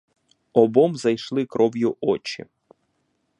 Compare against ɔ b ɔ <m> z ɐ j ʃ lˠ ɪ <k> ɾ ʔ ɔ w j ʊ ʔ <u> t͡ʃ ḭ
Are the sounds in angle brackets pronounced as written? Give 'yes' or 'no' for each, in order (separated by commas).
yes, yes, no